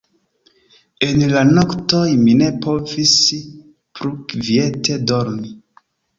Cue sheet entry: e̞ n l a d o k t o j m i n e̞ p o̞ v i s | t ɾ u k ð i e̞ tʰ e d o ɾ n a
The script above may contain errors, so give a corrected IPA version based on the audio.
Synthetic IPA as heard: e̞ n l a n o k t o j m i n e̞ p o̞ v i s | p ɾ u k v i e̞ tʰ e d o ɾ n i